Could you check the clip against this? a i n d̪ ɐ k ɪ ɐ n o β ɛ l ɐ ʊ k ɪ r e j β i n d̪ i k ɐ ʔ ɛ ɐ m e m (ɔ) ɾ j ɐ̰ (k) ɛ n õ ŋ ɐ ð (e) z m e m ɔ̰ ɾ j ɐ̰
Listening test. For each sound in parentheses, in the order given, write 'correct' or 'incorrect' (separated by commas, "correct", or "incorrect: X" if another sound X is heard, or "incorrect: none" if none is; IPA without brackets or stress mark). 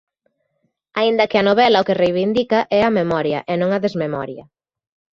correct, incorrect: ʔ, correct